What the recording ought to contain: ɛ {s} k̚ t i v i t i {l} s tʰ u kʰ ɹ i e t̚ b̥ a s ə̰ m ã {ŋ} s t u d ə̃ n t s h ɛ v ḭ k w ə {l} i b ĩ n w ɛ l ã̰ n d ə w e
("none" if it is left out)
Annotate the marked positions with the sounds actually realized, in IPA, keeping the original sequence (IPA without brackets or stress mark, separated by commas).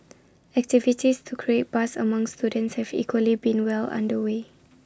none, none, ŋ, l